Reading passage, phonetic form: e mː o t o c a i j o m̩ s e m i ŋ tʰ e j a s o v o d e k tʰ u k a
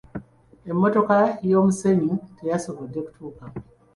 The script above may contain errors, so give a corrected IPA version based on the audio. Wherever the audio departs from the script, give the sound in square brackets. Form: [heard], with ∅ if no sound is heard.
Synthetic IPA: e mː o t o [k] a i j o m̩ s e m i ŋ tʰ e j a s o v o d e k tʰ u k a